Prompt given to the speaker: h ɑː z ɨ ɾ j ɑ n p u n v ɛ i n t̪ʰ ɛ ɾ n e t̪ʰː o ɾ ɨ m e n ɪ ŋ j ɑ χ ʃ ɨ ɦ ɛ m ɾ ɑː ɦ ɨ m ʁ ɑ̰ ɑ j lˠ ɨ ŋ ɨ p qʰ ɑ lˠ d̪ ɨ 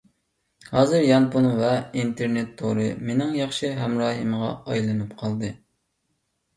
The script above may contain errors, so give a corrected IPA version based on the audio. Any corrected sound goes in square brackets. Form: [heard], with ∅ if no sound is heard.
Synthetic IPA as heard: h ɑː z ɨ ɾ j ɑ n p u n v ɛ i n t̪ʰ [e] ɾ n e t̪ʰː o ɾ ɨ m e n ɪ ŋ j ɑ χ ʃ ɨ ɦ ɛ m ɾ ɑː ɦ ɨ m ʁ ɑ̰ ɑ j lˠ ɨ [n] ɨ p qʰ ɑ lˠ d̪ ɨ